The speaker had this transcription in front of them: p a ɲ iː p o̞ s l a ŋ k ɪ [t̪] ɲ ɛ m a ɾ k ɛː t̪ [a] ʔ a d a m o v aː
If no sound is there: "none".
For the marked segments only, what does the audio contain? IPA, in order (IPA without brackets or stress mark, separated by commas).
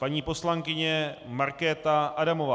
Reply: none, a